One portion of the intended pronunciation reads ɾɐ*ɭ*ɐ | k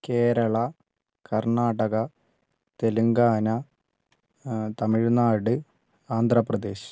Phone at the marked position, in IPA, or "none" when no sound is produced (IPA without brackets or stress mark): ɭ